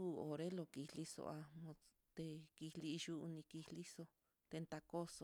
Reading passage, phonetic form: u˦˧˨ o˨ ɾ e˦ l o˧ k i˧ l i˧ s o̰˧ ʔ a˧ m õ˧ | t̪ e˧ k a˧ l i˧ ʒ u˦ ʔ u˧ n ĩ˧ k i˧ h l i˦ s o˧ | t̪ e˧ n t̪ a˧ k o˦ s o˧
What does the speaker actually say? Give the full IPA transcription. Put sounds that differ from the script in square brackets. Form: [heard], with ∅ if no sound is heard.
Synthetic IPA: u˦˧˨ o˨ ɾ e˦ l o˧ k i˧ l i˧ s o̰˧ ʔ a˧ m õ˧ | t̪ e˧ k [i˧] l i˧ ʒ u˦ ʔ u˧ n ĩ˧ k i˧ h l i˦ s o˧ | t̪ e˧ n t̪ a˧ k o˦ s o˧